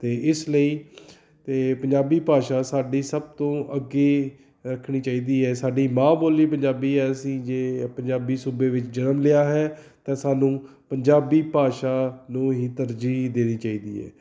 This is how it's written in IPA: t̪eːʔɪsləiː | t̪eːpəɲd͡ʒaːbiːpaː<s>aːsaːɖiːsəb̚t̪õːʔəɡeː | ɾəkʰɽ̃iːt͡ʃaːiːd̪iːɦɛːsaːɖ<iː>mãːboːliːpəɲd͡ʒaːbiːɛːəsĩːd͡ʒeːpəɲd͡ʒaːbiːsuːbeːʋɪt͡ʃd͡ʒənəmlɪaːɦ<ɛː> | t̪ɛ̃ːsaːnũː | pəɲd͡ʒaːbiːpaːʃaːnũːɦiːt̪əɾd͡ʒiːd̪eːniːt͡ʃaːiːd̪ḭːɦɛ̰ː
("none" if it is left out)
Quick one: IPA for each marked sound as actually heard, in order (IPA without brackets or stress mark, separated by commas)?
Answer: ʃ, iː, ɛː